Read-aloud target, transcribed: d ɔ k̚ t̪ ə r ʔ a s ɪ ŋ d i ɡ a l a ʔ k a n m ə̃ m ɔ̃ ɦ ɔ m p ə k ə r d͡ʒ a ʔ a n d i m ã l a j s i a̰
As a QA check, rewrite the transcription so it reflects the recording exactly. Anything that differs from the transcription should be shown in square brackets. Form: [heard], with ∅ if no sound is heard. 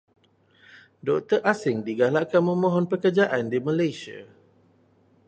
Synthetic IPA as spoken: d ɔ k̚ t̪ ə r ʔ a s ɪ ŋ d i ɡ a l a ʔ k a n m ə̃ m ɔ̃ ɦ ɔ [n] p ə k ə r d͡ʒ a ʔ a n d i m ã l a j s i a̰